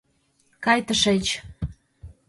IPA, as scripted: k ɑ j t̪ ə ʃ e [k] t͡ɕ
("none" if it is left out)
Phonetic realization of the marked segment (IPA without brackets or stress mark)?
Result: none